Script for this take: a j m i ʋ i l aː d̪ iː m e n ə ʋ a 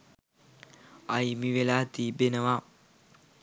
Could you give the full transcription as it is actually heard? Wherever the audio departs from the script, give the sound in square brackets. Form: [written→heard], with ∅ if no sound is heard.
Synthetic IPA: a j m i ʋ [i→e] l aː [d̪→t̪] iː [m→b] e n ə ʋ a